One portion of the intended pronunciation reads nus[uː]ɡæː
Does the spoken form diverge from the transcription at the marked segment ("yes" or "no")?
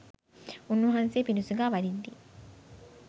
yes